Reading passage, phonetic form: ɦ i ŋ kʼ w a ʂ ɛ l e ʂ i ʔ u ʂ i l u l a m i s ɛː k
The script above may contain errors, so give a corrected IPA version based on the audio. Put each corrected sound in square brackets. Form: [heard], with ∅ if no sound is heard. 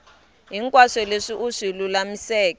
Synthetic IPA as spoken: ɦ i ŋ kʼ w a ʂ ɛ l e ʂ i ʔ u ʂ i l u l a m i s ɛː k